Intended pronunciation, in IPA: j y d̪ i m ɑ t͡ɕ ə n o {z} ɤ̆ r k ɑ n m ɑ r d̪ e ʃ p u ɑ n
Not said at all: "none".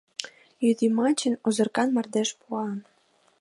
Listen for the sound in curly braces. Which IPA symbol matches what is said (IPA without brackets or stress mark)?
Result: z